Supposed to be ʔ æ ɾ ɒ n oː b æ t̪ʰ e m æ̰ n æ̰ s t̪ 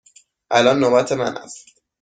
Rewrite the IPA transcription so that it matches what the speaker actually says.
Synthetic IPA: ʔ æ l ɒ nː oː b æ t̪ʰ e m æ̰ n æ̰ s t̪